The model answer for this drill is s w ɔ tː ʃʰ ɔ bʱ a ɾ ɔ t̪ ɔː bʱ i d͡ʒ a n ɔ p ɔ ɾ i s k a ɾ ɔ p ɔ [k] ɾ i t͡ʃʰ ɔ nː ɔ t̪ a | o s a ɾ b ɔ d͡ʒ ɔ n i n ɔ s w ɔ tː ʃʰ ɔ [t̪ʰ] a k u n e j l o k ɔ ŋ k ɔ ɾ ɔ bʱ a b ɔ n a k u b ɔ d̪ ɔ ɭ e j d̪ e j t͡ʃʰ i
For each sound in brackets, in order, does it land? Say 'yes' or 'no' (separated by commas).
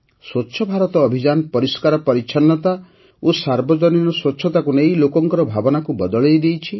no, no